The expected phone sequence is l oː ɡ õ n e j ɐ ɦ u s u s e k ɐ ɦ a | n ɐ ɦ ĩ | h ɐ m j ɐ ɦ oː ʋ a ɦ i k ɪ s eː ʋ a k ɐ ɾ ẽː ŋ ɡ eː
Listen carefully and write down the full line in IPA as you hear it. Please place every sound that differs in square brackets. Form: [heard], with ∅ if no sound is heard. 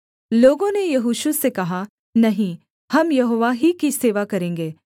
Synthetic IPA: l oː ɡ õ n e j ɐ ɦ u [ʃ] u s e k ɐ ɦ a | n ɐ ɦ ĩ | h ɐ m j ɐ ɦ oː ʋ a ɦ i k [i] s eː ʋ a k ɐ ɾ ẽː ŋ ɡ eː